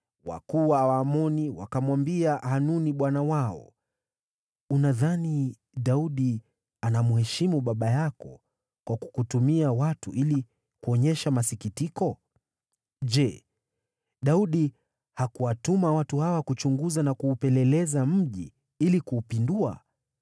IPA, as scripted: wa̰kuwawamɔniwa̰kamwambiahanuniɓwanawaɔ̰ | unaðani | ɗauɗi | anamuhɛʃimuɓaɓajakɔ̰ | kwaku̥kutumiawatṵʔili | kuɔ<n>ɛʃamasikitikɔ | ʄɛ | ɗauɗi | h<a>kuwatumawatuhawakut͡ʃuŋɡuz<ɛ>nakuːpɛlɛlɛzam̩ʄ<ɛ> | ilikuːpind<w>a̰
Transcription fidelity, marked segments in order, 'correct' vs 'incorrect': incorrect: ɲ, correct, incorrect: a, incorrect: i, incorrect: u

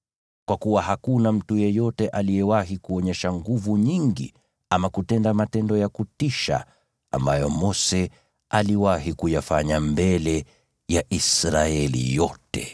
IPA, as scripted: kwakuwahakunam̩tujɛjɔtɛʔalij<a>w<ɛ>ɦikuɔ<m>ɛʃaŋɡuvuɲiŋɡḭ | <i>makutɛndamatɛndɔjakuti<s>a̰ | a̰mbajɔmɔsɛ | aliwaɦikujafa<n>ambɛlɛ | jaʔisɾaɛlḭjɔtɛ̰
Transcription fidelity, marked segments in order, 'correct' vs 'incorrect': incorrect: ɛ, incorrect: a, incorrect: ɲ, incorrect: a, incorrect: ʃ, incorrect: ɲ

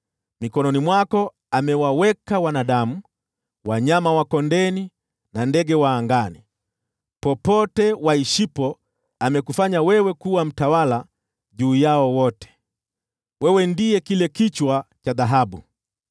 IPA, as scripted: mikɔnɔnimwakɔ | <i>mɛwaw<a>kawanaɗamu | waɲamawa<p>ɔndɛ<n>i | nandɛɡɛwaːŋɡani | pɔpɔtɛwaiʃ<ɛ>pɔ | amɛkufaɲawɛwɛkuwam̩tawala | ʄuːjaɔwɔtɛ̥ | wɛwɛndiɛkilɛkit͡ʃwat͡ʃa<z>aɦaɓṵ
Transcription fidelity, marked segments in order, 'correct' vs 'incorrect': incorrect: a, incorrect: ɛ, incorrect: k, correct, incorrect: i, incorrect: ð

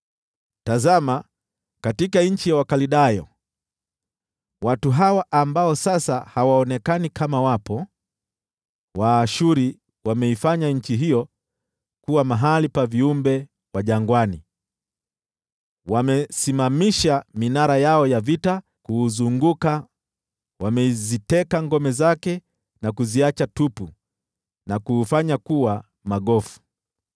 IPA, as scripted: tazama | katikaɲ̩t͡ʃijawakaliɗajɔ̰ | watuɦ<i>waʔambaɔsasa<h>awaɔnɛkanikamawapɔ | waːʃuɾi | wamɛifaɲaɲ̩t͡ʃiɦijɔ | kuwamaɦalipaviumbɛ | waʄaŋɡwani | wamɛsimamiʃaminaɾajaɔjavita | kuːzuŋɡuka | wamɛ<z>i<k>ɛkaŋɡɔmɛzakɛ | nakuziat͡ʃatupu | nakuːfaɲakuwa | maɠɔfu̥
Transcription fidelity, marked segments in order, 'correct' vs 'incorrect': incorrect: a, correct, correct, incorrect: t

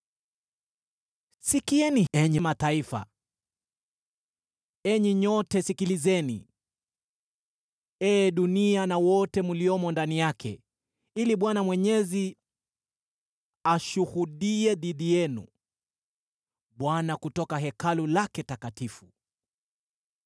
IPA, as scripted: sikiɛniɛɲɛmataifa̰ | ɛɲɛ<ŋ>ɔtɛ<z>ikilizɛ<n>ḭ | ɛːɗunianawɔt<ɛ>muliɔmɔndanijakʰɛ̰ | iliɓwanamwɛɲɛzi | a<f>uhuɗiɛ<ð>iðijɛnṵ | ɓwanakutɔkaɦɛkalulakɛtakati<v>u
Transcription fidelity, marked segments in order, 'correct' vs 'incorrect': incorrect: ɲ, incorrect: s, correct, correct, incorrect: ʃ, correct, incorrect: f

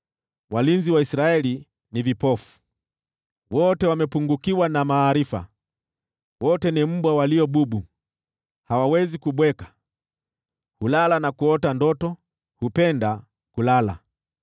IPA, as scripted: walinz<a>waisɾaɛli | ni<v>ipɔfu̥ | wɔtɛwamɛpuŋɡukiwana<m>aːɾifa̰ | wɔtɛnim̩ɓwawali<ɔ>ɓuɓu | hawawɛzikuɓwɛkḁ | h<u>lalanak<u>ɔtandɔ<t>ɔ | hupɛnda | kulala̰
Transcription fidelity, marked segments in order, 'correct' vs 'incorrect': incorrect: i, correct, correct, correct, correct, correct, correct

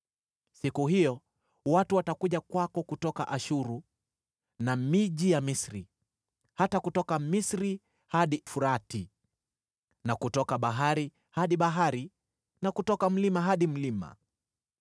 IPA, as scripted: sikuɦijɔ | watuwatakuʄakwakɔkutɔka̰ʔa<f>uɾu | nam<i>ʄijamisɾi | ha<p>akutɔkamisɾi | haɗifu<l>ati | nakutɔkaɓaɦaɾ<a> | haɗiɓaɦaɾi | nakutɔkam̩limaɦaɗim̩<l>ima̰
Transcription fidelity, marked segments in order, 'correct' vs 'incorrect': incorrect: ʃ, correct, incorrect: t, incorrect: ɾ, incorrect: i, correct

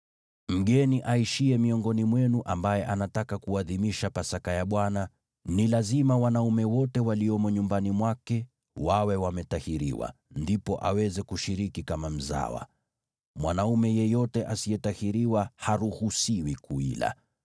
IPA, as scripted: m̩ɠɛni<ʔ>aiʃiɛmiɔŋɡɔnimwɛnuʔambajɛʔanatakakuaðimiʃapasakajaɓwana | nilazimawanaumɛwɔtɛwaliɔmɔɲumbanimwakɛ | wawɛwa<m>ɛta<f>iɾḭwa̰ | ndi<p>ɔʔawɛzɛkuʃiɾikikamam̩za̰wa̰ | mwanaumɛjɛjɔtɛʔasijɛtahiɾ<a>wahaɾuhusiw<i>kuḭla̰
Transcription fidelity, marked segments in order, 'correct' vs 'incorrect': correct, correct, incorrect: h, correct, incorrect: i, correct

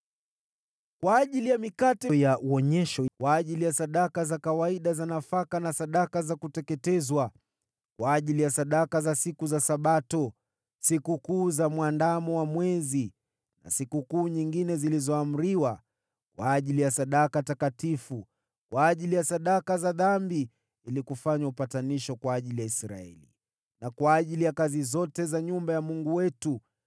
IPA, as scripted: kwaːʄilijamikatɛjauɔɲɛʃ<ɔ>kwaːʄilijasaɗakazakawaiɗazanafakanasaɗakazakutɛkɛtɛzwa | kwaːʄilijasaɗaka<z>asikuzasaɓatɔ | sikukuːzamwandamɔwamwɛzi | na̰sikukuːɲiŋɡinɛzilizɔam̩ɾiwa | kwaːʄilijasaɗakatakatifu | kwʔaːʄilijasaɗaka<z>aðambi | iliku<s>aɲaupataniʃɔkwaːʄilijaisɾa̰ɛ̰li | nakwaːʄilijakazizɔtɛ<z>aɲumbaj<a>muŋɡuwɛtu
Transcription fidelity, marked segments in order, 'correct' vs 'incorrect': correct, correct, correct, incorrect: f, correct, correct

